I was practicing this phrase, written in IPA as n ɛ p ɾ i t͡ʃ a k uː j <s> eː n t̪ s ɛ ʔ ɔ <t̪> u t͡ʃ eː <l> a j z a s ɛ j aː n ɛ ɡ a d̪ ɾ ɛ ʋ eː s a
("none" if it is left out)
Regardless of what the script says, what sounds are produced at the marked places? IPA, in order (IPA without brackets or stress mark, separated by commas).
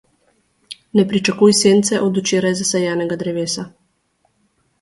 s, d̪, ɾ